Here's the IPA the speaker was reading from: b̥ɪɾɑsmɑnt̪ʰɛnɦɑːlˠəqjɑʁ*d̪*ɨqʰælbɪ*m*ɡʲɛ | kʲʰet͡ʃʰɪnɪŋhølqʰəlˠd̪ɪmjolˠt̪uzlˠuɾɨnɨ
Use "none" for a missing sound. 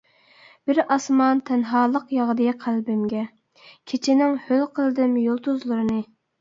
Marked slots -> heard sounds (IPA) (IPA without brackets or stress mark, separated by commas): d̪, m